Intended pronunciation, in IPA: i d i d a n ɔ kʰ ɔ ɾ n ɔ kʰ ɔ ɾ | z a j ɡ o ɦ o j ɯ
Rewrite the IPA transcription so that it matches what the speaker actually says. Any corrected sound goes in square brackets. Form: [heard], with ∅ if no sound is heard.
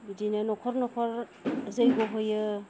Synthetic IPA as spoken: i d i [n] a n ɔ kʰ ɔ ɾ n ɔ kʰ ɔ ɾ | z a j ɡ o ɦ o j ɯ